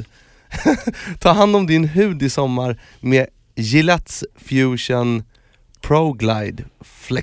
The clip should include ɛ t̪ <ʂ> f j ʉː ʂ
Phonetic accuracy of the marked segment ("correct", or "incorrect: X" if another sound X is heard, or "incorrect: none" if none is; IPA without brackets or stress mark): incorrect: s